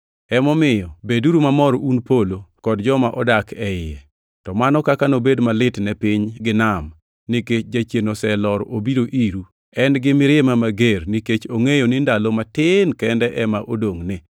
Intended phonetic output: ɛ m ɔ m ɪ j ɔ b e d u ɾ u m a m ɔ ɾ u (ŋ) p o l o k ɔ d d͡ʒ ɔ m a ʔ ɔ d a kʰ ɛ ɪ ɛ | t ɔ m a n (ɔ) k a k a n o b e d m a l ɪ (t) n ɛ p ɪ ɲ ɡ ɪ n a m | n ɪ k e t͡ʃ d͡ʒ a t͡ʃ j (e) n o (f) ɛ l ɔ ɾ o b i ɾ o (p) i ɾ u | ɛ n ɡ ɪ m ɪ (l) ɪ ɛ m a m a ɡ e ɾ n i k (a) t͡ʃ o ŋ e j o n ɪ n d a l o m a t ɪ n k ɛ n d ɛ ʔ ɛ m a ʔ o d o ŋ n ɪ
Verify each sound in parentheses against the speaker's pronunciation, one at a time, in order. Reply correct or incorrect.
incorrect, correct, correct, correct, incorrect, incorrect, incorrect, incorrect

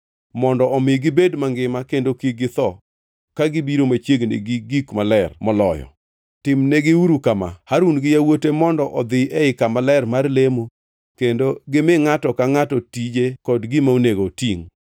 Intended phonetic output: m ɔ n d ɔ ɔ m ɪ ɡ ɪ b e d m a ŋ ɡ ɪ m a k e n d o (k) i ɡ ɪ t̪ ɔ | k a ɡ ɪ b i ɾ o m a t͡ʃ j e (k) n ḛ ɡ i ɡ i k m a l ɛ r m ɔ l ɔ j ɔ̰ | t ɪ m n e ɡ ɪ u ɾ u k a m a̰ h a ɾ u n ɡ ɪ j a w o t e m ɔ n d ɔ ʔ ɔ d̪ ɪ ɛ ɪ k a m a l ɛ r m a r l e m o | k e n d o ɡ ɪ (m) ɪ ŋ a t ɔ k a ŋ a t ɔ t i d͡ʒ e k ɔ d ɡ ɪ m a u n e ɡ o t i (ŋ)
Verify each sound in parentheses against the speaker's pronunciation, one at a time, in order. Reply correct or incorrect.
correct, incorrect, correct, correct

